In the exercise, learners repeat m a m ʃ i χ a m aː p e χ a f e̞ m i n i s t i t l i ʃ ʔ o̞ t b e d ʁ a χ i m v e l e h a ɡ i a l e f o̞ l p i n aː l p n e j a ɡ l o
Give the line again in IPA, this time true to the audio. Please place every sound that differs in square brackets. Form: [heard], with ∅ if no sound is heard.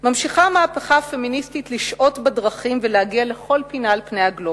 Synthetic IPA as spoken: m a m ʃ i χ a m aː p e χ a f e̞ m i n i s t i t l i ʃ ʔ o̞ t b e d ʁ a χ i m v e l e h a ɡ i a l e [χ] o̞ l p i n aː l p n e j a ɡ l o